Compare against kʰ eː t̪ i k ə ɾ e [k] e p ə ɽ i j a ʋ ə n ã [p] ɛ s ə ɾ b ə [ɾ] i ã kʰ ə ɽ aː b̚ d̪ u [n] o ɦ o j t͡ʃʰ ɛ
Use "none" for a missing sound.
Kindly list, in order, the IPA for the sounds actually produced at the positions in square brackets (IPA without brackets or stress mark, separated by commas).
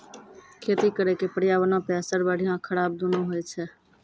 k, p, ɽ, n